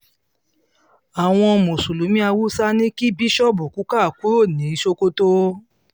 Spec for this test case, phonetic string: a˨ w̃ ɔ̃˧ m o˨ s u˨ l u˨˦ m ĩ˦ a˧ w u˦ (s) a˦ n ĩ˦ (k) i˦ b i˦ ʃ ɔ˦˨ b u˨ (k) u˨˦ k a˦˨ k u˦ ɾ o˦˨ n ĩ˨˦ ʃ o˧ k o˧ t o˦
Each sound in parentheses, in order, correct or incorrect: correct, correct, correct

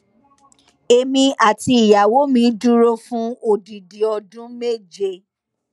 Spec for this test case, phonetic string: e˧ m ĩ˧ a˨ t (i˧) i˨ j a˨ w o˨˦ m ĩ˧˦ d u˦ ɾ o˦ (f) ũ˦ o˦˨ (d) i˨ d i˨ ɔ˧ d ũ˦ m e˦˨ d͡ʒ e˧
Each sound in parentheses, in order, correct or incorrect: correct, correct, correct

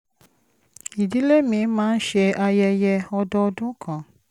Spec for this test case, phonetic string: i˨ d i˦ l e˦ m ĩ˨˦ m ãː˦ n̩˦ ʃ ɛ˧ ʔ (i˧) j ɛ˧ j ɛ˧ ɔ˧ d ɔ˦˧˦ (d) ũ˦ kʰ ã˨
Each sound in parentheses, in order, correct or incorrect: incorrect: a˧, correct

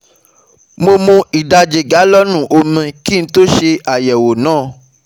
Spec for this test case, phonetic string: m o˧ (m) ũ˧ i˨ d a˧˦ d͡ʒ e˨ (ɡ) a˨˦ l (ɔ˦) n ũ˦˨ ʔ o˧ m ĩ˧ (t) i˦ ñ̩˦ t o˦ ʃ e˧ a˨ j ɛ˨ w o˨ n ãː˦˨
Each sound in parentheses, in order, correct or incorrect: correct, correct, correct, incorrect: k

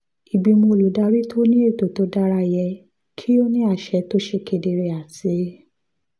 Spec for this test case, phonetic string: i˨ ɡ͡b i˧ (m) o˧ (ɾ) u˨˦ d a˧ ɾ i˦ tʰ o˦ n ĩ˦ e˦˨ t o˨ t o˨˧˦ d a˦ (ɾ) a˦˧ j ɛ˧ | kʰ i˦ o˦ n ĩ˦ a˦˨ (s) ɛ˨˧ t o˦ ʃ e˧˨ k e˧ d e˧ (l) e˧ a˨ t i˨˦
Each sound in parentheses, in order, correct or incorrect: correct, incorrect: l, correct, incorrect: ʃ, incorrect: ɾ

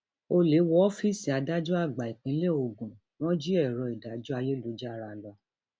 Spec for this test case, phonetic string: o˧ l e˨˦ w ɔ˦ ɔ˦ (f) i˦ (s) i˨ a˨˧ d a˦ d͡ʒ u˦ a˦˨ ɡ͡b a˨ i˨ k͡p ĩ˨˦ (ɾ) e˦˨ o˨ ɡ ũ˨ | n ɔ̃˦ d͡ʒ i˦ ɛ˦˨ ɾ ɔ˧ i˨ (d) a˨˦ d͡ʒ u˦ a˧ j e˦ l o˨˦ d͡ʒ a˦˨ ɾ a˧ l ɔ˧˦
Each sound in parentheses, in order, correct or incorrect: correct, correct, incorrect: l, correct

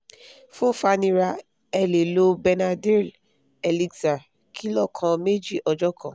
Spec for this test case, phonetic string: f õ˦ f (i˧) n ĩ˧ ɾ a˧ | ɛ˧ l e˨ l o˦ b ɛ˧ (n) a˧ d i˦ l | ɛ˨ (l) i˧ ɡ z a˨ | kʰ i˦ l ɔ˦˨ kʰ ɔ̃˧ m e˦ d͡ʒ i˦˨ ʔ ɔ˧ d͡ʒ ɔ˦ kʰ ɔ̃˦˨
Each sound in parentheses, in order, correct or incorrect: incorrect: a˧, correct, correct

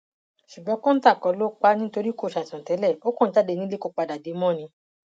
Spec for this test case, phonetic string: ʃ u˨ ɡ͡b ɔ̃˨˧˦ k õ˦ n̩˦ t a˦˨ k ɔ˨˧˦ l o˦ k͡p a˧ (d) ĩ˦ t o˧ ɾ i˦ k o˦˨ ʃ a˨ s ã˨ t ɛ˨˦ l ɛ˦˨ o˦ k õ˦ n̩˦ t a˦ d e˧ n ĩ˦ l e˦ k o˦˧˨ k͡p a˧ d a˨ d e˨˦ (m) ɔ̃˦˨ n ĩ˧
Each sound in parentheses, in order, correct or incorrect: incorrect: n, correct

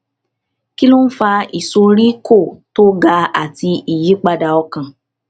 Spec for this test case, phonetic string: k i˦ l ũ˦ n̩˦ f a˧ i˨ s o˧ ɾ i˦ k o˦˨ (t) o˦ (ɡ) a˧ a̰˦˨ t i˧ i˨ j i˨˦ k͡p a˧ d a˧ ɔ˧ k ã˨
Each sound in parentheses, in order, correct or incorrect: correct, correct

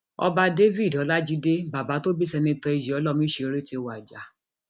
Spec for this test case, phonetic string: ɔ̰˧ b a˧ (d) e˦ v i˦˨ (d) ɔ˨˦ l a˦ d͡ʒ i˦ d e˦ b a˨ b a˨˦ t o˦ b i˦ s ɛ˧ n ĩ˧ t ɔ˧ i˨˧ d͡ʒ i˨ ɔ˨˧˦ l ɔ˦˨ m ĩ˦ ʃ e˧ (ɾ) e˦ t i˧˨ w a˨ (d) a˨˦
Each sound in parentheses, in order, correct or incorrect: correct, correct, correct, incorrect: d͡ʒ

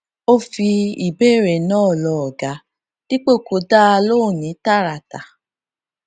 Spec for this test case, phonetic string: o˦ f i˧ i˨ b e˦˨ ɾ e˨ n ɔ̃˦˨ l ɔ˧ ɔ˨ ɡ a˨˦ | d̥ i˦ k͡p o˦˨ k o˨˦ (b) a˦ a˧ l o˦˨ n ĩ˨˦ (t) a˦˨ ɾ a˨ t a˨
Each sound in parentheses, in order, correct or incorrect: incorrect: d, correct

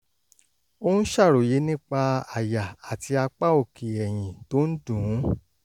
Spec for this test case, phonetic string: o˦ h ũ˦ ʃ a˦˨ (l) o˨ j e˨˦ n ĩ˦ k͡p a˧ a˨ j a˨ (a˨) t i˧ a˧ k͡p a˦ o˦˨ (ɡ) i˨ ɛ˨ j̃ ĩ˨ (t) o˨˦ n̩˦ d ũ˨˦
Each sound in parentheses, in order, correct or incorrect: incorrect: ɾ, correct, incorrect: k, correct

